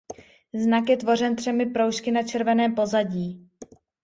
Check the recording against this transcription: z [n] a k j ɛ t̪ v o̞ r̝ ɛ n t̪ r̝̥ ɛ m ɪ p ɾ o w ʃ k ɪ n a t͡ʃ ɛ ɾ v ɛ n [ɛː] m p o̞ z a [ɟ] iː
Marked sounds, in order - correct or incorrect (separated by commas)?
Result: correct, correct, correct